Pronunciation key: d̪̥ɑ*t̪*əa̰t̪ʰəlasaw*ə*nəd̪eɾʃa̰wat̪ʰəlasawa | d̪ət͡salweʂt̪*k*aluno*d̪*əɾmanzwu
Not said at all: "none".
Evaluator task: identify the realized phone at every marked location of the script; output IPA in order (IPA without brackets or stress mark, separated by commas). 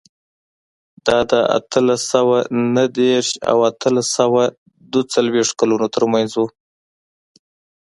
d̪, a, k, t̪